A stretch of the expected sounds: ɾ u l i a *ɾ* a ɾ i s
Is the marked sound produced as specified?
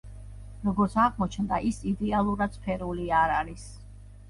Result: yes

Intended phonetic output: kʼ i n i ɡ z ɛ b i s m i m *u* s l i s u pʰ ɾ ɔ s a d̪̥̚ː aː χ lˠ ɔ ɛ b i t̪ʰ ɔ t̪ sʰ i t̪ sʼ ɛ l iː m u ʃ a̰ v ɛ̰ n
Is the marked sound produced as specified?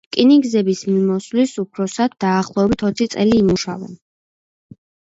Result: no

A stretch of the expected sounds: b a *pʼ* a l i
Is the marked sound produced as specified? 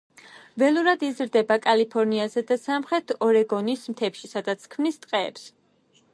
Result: no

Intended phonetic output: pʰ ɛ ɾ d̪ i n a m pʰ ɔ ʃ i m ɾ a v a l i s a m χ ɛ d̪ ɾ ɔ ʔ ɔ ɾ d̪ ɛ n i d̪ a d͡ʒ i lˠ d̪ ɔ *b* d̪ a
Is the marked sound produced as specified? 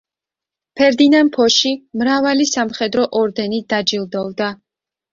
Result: no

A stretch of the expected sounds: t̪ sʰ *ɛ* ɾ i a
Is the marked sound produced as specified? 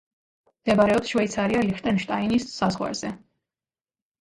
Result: no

